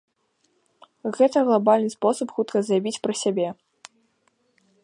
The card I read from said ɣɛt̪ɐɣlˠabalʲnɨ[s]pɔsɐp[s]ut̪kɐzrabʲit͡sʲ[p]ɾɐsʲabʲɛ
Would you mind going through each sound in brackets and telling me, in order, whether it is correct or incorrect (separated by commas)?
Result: correct, incorrect, correct